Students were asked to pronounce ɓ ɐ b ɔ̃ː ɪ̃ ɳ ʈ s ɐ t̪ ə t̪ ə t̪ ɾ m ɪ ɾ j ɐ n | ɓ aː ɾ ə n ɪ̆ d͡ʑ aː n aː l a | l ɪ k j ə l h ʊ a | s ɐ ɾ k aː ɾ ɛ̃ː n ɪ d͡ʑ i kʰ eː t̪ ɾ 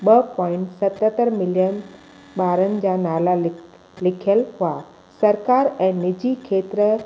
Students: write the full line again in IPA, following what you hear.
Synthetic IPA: ɓ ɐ p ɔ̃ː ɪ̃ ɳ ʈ s ɐ t̪ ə t̪ ə ɾ m ɪ l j ə n | ɓ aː ɾ ə n ɪ̆ d͡ʑ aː n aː l a | l ɪ kʰ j ə l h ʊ a | s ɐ ɾ k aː ɾ ɛ̃ː n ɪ d͡ʑ i kʰ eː t̪ ɾ